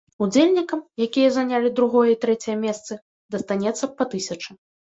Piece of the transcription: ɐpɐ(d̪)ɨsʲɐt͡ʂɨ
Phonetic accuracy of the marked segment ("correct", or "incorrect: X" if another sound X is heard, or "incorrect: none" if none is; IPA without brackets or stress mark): incorrect: t̪